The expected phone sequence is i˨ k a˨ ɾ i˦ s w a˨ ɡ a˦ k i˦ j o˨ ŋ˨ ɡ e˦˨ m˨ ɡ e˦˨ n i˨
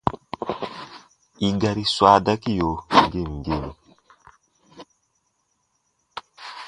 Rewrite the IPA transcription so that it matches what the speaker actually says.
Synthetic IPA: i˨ ɡ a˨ ɾ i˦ s w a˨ d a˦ k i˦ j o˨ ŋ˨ ɡ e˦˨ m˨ ɡ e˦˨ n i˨